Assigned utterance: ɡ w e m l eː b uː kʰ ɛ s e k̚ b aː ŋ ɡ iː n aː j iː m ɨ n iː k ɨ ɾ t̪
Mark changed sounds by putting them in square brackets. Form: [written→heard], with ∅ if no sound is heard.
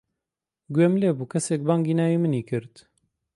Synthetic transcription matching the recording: ɡ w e m l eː b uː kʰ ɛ s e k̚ b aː ŋ ɡ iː n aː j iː m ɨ n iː k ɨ ɾ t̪

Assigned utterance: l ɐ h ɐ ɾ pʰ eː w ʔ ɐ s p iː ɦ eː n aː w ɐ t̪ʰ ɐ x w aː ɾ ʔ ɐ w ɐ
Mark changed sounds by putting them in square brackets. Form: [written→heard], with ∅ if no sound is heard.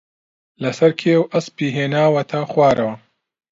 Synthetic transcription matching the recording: l ɐ [h→s] ɐ ɾ [pʰ→kʰ] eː w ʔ ɐ s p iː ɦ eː n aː w ɐ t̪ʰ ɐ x w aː ɾ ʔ ɐ w ɐ

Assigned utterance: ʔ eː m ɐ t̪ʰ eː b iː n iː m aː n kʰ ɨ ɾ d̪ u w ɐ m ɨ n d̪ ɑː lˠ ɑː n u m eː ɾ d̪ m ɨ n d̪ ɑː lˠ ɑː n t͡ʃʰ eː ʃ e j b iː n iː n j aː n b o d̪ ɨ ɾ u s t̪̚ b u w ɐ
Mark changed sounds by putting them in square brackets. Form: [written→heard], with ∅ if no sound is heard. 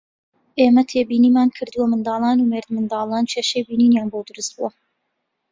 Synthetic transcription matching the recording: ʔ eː m ɐ t̪ʰ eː b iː n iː m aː n kʰ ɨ ɾ d̪ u w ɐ m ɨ n d̪ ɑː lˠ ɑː n u m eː ɾ d̪ m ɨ n d̪ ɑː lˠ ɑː n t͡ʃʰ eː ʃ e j b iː n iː n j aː n b o d̪ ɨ ɾ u s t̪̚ b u w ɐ

